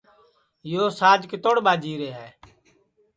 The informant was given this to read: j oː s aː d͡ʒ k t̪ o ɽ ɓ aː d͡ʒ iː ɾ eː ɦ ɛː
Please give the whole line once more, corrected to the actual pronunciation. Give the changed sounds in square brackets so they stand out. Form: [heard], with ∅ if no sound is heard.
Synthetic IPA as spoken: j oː s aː d͡ʒ k t̪ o ɽ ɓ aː d͡ʒ iː ɾ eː ɦ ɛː